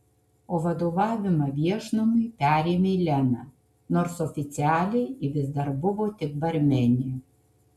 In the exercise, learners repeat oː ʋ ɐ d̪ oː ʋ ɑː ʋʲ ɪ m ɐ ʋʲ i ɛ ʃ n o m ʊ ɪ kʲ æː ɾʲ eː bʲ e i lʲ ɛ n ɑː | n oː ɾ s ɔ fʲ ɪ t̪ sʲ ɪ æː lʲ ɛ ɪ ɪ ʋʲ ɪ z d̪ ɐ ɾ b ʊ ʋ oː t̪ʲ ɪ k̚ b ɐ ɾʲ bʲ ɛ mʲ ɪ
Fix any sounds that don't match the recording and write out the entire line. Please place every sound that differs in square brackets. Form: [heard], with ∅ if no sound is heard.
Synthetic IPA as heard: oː ʋ ɐ d̪ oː ʋ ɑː ʋʲ ɪ m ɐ ʋʲ i ɛ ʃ n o m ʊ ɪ [pʲ] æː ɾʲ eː [mʲ] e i lʲ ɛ n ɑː | n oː ɾ s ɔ fʲ ɪ t̪ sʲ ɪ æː lʲ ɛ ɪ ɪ ʋʲ ɪ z d̪ ɐ ɾ b ʊ ʋ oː t̪ʲ ɪ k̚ b ɐ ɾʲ [mʲ] ɛ [nʲ] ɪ